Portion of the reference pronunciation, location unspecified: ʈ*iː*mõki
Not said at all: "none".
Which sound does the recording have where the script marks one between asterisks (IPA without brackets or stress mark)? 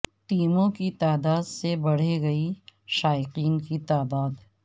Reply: iː